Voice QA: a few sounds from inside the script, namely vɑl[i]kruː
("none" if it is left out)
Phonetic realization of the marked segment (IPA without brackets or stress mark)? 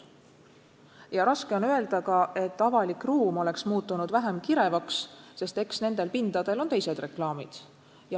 i